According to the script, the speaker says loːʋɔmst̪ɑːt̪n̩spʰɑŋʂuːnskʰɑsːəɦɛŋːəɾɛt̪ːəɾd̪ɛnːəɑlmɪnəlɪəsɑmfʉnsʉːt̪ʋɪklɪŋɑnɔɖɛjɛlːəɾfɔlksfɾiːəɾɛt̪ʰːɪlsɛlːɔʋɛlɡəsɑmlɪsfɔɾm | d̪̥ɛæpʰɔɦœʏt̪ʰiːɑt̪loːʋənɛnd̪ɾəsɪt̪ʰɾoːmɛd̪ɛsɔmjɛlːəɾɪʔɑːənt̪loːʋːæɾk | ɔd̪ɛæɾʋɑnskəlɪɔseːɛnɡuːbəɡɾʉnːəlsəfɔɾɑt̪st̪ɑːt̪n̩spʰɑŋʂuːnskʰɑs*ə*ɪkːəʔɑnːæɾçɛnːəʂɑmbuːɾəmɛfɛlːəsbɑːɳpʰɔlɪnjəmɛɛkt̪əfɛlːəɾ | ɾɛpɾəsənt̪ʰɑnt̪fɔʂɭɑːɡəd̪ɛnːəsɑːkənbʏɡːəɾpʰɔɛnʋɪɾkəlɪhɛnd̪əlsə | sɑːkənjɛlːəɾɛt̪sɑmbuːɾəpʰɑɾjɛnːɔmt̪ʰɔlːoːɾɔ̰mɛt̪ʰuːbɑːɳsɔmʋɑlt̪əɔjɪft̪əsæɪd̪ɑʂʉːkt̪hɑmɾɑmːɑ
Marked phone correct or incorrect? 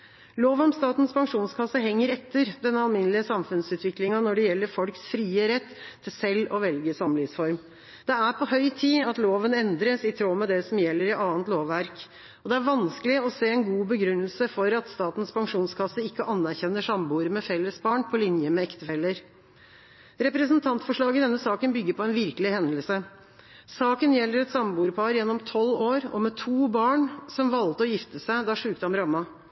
correct